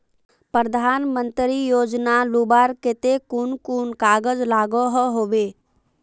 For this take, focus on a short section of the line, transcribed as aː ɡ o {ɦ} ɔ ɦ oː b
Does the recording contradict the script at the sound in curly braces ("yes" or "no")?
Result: no